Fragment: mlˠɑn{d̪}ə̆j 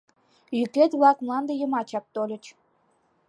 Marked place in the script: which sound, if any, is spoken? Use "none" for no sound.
d̪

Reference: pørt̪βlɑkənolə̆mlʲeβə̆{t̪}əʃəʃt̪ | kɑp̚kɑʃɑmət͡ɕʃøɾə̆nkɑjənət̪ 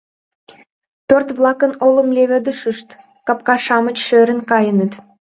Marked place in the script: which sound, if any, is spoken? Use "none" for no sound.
d̪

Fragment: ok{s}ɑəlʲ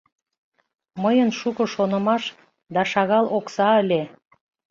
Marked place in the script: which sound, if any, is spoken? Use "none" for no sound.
s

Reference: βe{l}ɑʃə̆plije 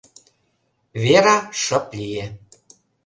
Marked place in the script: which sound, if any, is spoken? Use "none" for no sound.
ɾ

